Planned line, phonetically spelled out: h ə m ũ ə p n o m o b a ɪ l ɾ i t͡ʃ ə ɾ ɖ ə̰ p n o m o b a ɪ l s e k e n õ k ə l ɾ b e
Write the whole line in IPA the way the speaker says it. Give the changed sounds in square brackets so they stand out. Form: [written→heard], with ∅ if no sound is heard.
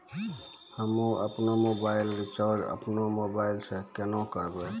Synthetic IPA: h ə m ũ ə p n o m o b a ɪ l ɾ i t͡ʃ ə ɾ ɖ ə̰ p n o m o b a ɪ l s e k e n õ k ə [l→∅] ɾ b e